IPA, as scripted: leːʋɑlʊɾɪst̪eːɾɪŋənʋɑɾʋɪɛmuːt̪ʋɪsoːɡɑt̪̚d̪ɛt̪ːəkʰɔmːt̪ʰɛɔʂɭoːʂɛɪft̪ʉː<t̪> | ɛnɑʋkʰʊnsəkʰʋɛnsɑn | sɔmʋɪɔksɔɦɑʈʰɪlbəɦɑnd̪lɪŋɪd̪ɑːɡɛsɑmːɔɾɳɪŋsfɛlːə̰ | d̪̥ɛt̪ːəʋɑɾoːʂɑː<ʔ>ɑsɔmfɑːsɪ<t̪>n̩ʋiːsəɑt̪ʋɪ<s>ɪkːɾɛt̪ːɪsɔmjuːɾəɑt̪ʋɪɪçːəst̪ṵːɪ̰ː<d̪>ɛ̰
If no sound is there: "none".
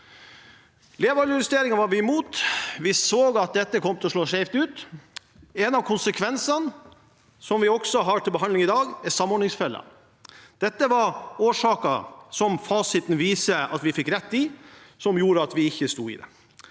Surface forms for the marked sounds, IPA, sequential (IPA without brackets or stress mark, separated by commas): t̪, k, t̪, f, d̪